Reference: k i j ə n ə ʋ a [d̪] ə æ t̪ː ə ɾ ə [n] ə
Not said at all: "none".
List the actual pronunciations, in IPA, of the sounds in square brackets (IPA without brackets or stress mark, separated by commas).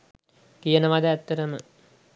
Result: d̪, m